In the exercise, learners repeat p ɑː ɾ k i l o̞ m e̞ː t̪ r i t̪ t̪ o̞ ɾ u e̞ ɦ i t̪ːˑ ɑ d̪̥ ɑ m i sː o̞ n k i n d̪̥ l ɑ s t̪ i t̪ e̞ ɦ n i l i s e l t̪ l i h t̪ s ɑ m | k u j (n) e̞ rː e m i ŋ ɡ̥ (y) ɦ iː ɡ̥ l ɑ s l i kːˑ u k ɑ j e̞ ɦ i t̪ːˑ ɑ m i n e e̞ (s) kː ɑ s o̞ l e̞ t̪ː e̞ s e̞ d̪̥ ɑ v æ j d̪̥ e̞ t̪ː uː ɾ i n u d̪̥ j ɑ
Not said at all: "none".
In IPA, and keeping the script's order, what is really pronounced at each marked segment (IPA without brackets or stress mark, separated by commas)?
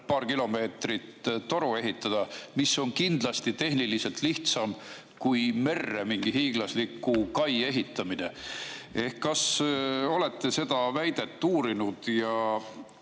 m, i, h